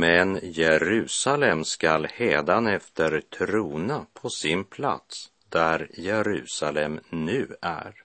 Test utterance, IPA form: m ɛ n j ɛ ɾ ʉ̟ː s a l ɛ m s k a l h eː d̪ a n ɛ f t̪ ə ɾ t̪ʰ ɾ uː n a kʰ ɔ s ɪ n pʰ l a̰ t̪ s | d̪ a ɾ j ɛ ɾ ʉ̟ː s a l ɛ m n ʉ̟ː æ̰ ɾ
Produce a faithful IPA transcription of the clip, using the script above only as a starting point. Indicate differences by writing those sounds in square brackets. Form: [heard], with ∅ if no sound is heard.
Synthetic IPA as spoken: m ɛ n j ɛ ɾ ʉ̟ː s a l ɛ m s k a l h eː d̪ a n ɛ f t̪ ə ɾ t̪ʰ ɾ uː n a [pʰ] ɔ s ɪ n pʰ l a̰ t̪ s | d̪ [æ] ɾ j ɛ ɾ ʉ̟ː s a l ɛ m n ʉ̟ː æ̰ ɾ